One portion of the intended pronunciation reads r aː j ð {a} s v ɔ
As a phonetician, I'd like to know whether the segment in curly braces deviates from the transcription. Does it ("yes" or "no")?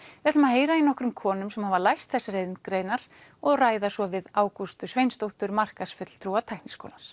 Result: no